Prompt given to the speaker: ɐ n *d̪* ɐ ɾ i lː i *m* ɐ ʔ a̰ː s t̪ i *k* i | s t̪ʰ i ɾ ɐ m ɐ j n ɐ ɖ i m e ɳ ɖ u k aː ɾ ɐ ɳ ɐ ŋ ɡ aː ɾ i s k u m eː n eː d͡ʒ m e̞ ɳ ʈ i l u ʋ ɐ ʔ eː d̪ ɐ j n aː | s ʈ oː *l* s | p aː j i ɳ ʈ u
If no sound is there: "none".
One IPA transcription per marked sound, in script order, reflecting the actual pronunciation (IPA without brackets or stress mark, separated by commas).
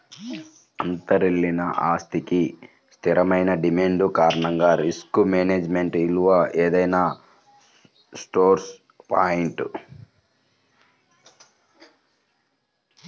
t̪, n, k, ɾ